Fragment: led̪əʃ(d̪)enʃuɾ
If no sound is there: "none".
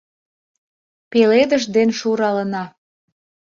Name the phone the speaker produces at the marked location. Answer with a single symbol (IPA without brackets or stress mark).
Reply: d̪